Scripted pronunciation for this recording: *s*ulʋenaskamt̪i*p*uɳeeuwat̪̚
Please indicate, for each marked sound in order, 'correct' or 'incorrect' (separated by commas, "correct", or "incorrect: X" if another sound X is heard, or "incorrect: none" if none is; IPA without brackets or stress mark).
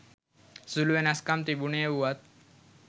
correct, incorrect: b